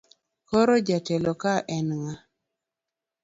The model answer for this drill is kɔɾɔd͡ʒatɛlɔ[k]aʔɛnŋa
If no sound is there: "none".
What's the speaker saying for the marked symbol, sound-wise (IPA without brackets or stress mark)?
k